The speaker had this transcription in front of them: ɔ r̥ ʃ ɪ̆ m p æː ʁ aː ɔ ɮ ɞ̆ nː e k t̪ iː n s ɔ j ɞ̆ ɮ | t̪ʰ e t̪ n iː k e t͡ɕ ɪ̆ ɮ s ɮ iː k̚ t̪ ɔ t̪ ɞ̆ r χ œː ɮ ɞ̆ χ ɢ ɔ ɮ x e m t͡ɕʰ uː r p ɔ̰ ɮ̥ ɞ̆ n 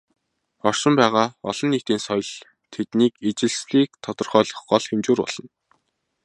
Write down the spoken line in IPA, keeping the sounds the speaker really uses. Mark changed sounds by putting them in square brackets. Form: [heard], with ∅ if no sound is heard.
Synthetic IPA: ɔ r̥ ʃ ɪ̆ m p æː ʁ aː ɔ ɮ ɞ̆ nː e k t̪ iː n s ɔ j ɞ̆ ɮ | t̪ʰ e t̪ n iː k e t͡ɕ ɪ̆ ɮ s ɮ iː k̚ [t̪ʰ] ɔ t̪ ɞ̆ r χ œː ɮ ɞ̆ χ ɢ ɔ ɮ x e m [t͡ɕ] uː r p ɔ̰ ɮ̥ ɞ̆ n